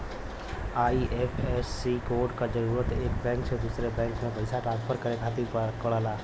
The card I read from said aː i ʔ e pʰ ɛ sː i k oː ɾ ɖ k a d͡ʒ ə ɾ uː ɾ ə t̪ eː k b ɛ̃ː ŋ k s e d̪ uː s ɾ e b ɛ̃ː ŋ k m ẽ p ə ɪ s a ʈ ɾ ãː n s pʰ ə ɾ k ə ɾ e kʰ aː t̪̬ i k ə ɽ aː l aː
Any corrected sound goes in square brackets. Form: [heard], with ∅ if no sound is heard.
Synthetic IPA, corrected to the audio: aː i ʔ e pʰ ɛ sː i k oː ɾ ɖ k a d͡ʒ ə ɾ uː ɾ ə t̪ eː k b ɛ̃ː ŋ k s e d̪ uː s ɾ e b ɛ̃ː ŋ k m ẽ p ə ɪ s a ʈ ɾ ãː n s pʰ ə ɾ k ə ɾ e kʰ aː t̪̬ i k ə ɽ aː l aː